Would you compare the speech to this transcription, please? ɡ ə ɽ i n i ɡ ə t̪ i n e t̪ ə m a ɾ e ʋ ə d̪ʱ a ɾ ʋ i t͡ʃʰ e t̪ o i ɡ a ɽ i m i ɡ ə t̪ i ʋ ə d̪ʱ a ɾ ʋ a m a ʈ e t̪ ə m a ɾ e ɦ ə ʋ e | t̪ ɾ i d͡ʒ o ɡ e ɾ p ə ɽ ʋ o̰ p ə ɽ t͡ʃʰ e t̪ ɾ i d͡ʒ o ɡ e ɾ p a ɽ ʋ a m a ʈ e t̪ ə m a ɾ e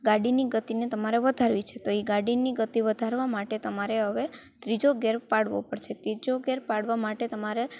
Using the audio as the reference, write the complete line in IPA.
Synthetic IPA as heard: ɡ a ɽ i n i ɡ ə t̪ i n e t̪ ə m a ɾ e ʋ ə d̪ʱ a ɾ ʋ i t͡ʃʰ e t̪ o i ɡ a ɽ i n i ɡ ə t̪ i ʋ ə d̪ʱ a ɾ ʋ a m a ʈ e t̪ ə m a ɾ e ɦ ə ʋ e | t̪ ɾ i d͡ʒ o ɡ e ɾ p a ɽ ʋ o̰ p ə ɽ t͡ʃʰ e t̪ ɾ i d͡ʒ o ɡ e ɾ p a ɽ ʋ a m a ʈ e t̪ ə m a ɾ e